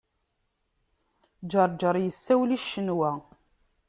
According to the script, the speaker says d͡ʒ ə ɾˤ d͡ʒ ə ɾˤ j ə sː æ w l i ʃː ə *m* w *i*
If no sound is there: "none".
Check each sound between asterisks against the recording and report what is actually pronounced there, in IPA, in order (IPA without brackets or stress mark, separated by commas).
n, æ